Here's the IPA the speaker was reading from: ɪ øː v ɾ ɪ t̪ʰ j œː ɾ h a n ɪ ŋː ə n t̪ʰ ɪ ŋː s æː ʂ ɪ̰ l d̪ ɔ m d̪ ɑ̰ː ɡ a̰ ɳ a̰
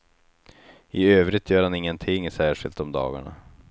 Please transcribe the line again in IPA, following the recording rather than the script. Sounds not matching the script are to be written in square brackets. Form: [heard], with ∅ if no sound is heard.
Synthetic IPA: ɪ øː v ɾ ɪ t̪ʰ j œː ɾ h a n ɪ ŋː ə n t̪ʰ ɪ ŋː s æː ʂ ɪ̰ l [t̪] ɔ m d̪ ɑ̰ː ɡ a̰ ɳ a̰